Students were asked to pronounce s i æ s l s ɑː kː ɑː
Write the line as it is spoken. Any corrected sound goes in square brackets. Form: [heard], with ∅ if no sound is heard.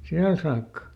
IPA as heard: s i æ [∅] l s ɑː kː [ɑ]